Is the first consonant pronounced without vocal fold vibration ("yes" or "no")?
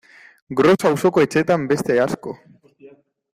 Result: no